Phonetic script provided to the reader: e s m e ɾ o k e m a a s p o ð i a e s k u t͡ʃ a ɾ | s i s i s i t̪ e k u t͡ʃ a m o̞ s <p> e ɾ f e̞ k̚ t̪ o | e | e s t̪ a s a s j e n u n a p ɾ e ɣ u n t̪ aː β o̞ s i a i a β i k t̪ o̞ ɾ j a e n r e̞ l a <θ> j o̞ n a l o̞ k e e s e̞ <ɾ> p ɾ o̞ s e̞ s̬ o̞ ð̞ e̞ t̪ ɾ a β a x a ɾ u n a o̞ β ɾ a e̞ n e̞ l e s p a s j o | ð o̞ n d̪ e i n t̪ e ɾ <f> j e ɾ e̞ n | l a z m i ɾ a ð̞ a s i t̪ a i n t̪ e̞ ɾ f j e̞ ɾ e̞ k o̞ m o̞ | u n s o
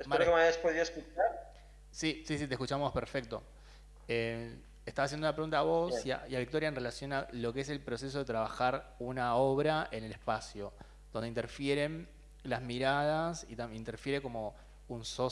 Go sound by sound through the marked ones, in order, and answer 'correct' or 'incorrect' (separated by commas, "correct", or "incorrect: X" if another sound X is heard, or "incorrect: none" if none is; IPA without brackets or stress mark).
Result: correct, incorrect: s, incorrect: l, correct